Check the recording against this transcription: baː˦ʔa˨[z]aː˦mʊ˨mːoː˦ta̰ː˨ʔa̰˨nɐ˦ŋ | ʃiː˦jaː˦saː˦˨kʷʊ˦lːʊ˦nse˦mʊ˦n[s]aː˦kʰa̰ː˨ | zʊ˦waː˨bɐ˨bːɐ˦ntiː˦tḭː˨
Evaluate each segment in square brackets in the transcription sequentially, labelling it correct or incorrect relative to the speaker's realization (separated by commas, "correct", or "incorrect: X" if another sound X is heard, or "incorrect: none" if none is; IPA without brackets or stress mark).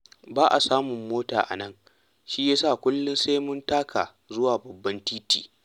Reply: incorrect: s, incorrect: t